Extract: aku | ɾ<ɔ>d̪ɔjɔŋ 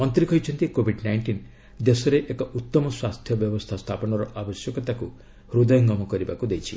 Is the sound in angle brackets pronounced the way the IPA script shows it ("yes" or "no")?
no